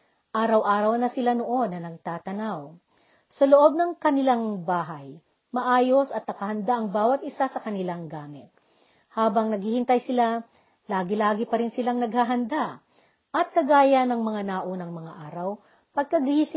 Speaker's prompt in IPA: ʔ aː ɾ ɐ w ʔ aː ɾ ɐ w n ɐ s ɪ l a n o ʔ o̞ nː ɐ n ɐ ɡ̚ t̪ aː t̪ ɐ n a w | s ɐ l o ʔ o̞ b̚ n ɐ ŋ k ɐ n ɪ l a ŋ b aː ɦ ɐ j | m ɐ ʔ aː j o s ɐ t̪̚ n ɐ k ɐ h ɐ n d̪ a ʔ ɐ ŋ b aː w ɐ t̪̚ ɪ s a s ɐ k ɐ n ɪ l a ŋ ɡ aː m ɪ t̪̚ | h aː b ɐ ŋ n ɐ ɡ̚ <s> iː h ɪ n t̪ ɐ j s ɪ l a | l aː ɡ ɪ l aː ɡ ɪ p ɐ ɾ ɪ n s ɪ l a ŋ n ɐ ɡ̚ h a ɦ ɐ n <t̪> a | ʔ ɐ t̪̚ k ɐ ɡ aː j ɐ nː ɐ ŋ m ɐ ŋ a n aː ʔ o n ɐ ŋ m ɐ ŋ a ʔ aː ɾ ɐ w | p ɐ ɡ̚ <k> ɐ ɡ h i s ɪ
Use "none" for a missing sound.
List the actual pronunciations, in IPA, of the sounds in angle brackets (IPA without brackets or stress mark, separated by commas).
h, d̪, k